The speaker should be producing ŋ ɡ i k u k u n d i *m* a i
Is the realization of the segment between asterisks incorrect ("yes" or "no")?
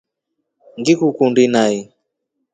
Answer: yes